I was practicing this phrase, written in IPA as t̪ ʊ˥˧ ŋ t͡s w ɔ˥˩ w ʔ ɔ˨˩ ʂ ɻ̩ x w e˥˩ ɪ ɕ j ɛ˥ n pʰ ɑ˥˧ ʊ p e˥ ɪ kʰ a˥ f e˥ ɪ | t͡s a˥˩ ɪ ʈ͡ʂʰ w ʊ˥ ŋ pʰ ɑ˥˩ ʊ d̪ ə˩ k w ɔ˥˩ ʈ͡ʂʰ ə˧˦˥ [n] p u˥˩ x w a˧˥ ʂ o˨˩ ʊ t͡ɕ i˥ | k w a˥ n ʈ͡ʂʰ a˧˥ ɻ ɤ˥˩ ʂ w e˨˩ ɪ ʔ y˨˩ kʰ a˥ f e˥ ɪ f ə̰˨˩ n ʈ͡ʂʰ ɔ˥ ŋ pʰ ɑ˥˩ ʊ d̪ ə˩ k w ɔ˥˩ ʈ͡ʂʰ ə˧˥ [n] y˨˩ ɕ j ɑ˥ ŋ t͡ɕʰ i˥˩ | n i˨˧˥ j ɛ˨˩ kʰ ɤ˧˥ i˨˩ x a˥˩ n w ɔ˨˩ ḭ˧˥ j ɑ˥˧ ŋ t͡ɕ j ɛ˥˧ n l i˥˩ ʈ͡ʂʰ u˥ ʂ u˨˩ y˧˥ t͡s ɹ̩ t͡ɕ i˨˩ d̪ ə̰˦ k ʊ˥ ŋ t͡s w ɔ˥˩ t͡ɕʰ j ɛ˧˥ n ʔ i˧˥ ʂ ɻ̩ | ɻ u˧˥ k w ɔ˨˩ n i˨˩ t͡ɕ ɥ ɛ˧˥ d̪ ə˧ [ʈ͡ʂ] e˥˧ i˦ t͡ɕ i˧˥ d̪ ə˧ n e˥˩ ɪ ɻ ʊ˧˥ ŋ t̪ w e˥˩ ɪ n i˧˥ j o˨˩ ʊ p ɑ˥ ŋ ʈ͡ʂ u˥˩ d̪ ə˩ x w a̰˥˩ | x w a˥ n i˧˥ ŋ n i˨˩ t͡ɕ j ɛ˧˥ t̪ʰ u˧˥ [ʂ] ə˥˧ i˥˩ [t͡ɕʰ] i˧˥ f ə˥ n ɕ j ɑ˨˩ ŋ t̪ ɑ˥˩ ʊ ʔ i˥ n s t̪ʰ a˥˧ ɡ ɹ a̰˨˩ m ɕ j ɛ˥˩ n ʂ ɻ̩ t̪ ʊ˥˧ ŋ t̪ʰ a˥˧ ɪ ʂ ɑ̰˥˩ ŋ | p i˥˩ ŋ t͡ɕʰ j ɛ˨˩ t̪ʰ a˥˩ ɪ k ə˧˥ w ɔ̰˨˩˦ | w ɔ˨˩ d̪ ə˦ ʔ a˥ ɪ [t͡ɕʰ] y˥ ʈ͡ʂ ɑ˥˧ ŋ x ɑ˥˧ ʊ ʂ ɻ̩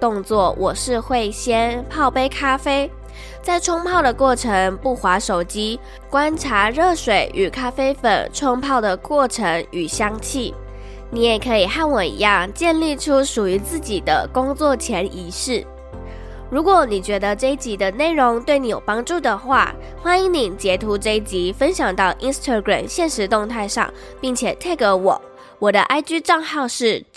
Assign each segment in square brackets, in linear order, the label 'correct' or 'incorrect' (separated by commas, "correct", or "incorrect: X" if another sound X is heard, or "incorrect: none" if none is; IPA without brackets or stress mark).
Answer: incorrect: ŋ, incorrect: ŋ, correct, incorrect: ʈ͡ʂ, incorrect: t͡ɕ, incorrect: t͡ɕ